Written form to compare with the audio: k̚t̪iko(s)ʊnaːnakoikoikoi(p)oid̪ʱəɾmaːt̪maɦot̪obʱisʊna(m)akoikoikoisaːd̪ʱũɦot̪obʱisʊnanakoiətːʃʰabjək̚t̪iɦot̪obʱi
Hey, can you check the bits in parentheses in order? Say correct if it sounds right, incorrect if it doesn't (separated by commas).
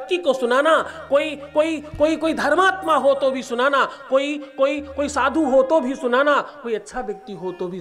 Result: correct, incorrect, incorrect